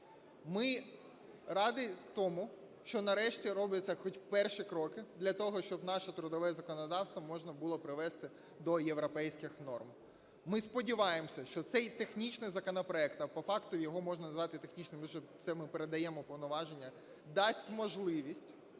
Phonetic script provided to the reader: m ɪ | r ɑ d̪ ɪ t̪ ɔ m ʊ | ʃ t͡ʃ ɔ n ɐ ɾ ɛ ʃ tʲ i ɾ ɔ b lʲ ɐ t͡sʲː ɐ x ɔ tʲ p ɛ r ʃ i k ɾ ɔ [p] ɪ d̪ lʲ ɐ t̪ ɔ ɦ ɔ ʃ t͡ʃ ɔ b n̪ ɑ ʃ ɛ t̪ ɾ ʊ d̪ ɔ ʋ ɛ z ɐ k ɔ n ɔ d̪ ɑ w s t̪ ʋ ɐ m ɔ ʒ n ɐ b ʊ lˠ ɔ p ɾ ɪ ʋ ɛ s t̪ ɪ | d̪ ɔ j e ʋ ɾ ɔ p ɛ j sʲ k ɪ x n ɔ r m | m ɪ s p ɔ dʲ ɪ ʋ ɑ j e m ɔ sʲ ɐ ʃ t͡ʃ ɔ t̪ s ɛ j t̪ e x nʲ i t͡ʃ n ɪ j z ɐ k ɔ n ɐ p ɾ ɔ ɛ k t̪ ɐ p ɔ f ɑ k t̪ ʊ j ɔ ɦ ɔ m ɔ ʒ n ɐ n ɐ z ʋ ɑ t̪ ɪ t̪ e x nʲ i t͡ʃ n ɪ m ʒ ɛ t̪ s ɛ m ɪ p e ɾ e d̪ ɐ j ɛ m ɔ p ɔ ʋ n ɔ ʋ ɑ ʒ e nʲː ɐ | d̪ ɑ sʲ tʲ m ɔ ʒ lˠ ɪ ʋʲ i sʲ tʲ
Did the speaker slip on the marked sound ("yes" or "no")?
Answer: yes